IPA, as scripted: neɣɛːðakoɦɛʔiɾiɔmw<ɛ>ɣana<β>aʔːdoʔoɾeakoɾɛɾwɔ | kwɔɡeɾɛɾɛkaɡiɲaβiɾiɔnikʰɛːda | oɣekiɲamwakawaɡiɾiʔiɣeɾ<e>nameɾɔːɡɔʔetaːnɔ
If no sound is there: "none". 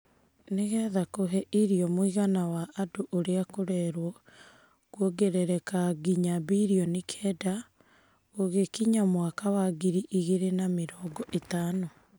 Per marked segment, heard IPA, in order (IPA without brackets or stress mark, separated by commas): i, w, e